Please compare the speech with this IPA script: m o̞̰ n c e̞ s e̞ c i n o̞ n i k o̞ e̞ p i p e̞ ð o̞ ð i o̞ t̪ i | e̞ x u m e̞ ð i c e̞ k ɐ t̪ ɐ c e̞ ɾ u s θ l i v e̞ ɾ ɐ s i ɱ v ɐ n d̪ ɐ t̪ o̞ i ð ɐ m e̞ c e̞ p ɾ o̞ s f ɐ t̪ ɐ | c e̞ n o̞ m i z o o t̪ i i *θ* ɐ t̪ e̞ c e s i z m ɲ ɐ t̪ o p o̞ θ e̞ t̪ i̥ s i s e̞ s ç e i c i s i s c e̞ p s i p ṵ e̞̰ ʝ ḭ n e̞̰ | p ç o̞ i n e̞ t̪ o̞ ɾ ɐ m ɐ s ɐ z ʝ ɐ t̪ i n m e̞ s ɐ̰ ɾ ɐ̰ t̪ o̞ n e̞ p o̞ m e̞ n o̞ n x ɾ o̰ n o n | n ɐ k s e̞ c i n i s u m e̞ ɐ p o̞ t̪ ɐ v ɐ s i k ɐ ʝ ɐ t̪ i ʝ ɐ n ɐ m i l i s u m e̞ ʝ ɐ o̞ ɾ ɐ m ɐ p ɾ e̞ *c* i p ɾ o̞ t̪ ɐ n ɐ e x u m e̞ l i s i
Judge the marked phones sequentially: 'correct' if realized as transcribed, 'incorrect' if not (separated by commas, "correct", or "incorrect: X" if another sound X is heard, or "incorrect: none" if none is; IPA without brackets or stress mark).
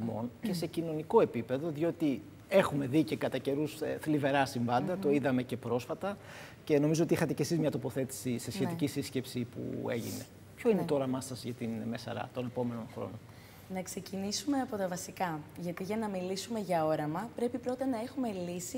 incorrect: x, incorrect: p